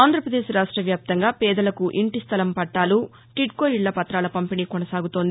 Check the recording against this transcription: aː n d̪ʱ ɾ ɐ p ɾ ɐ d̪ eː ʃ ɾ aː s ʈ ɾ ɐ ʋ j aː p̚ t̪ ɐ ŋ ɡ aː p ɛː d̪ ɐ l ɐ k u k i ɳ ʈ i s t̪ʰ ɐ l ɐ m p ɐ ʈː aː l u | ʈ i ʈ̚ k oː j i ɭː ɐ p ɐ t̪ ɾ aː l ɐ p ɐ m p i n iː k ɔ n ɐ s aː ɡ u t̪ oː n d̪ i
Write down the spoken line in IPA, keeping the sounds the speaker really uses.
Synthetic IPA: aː n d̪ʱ ɾ ɐ p ɾ ɐ d̪ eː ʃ ɾ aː ʂ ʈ ɾ ɐ ʋ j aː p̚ t̪ ɐ ŋ ɡ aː p ɛː d̪ ɐ l ɐ k u ʔ i ɳ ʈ i s t̪ʰ ɐ l ɐ m p ɐ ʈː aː l u | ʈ i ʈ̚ k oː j i ɭː ɐ p ɐ t̪ ɾ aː l ɐ p ɐ m p i n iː k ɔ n ɐ s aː ɡ u t̪ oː n d̪ i

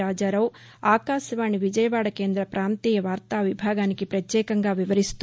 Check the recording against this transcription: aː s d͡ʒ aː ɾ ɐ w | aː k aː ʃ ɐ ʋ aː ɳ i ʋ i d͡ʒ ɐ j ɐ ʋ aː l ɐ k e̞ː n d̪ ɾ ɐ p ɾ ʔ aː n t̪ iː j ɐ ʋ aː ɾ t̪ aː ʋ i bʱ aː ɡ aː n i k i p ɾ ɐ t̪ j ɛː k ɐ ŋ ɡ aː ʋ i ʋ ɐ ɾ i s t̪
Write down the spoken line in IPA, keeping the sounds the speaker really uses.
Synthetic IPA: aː d͡ʒ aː ɾ ɐ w | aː k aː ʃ ɐ ʋ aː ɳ i ʋ i d͡ʒ ɐ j ɐ ʋ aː ɽ ɐ k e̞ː n d̪ ɾ ɐ p ɾ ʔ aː n t̪ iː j ɐ ʋ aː ɾ t̪ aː ʋ i bʱ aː ɡ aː n i k i p ɾ ɐ t̪ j ɛː k ɐ ŋ ɡ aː ʋ i ʋ ɐ ɾ i s t̪

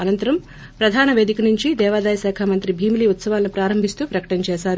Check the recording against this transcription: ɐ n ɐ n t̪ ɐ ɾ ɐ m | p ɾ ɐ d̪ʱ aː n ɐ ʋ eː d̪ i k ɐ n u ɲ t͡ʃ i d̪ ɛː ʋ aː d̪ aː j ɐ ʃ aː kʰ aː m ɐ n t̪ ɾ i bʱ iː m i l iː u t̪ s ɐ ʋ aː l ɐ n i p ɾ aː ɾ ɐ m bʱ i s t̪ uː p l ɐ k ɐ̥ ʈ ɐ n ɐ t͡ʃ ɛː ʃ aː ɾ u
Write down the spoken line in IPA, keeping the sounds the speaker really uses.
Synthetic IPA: ɐ n ɐ n t̪ ɐ ɾ ɐ m | p ɾ ɐ d̪ʱ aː n ɐ ʋ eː d̪ i k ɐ n u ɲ t͡ʃ i d̪ ɛː ʋ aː d̪ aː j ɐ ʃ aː kʰ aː m ɐ n t̪ ɾ i bʱ iː m i l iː u t̪ s ɐ ʋ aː l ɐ n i p ɾ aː ɾ ɐ m bʱ i s t̪ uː p ɾ ɐ k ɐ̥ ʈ ɐ n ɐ t͡ʃ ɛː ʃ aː ɾ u

